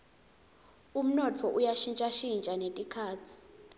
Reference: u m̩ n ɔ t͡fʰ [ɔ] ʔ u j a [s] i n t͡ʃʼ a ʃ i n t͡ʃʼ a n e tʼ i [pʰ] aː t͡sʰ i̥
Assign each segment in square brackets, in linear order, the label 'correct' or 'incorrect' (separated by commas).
correct, incorrect, incorrect